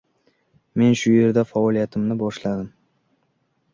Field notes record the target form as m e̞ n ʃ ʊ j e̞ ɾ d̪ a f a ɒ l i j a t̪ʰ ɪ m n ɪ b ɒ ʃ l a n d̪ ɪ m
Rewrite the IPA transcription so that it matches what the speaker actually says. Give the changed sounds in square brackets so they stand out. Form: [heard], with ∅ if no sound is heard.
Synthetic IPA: m e̞ n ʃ ʊ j e̞ ɾ d̪ a f a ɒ l i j a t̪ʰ ɪ m n ɪ b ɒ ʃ l a [∅] d̪ ɪ m

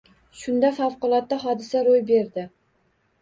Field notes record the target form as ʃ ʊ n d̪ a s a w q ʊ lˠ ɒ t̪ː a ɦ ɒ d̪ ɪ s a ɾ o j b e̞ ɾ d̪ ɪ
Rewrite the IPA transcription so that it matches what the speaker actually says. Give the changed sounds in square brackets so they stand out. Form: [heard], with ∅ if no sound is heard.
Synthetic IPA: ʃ ʊ n d̪ a [f] a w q ʊ lˠ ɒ t̪ː a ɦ ɒ d̪ ɪ s a ɾ o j b e̞ ɾ d̪ ɪ

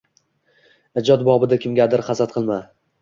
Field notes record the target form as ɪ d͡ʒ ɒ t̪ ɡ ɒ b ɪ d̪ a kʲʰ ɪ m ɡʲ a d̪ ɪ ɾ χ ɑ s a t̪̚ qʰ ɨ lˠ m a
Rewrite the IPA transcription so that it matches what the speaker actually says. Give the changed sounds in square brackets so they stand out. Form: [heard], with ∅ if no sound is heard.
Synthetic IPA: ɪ d͡ʒ ɒ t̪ [b] ɒ b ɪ d̪ a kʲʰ ɪ m ɡʲ a d̪ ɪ ɾ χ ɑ s a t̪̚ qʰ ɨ lˠ m a

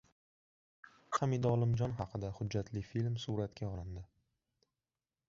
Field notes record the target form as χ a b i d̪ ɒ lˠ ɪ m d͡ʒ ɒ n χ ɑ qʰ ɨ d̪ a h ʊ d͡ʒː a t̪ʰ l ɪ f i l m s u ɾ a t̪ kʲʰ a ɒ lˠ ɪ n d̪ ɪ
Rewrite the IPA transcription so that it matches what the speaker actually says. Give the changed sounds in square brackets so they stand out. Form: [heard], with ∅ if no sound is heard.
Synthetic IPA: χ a [m] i d̪ ɒ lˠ ɪ m d͡ʒ ɒ n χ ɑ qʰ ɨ d̪ a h ʊ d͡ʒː a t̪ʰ l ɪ f i l m s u ɾ a t̪ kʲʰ a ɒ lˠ ɪ n d̪ ɪ

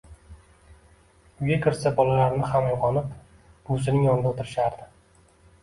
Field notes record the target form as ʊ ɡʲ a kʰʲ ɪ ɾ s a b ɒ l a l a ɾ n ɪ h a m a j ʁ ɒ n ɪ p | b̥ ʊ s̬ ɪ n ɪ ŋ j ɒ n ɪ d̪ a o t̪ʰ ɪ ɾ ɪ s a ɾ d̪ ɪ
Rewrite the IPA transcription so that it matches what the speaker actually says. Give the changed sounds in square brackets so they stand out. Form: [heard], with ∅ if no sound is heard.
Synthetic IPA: ʊ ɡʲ a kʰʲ ɪ ɾ s a b ɒ l a l a ɾ n ɪ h a m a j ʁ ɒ n ɪ p | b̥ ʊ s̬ ɪ n ɪ ŋ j ɒ n ɪ d̪ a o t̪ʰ ɪ ɾ ɪ [ʃ] a ɾ d̪ ɪ

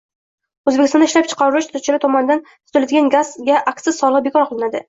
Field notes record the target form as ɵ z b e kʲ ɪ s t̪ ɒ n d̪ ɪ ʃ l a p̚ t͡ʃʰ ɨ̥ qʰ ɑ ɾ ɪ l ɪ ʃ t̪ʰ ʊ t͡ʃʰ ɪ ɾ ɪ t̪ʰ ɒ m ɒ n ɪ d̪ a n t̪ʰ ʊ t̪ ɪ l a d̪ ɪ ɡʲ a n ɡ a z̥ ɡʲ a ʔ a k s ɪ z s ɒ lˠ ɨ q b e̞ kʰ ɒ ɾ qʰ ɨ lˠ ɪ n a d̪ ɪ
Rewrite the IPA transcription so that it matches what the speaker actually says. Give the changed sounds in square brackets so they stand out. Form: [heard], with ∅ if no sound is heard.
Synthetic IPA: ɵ z b e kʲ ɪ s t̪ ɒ n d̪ ɪ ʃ l a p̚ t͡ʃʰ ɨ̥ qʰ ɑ ɾ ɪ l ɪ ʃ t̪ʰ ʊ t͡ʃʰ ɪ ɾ ɪ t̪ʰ ɒ m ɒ n ɪ d̪ a n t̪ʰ ʊ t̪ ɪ l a d̪ ɪ ɡʲ a n ɡ a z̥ ɡʲ a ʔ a k s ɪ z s ɒ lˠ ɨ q b e̞ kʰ ɒ ɾ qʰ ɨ lˠ ɪ n a d̪ ɪ

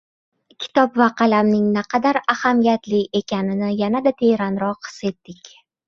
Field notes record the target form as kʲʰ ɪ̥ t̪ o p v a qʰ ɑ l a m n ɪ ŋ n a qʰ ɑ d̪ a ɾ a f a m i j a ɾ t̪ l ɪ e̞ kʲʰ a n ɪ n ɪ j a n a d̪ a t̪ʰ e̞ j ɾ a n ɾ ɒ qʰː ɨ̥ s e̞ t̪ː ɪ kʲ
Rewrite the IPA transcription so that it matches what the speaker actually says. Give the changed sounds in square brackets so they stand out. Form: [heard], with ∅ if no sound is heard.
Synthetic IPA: kʲʰ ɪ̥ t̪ [ɒ] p v a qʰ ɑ l a m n ɪ ŋ n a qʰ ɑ d̪ a ɾ a [h] a m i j a [∅] t̪ l ɪ e̞ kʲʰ a n ɪ n ɪ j a n a d̪ a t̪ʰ e̞ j ɾ a n ɾ ɒ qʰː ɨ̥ s e̞ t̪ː ɪ kʲ

